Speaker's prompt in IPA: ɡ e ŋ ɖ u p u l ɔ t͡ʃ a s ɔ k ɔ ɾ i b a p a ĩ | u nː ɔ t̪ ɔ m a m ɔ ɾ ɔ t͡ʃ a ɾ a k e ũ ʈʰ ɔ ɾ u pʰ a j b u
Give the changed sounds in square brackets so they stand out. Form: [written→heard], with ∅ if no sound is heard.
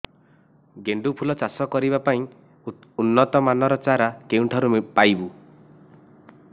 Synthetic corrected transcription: ɡ e [ŋ→ɳ] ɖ u [p→pʰ] u l ɔ t͡ʃ a s ɔ k ɔ ɾ i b a p a ĩ | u nː ɔ t̪ ɔ m a [m→n] ɔ ɾ ɔ t͡ʃ a ɾ a k e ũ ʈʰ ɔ ɾ u [pʰ→p] a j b u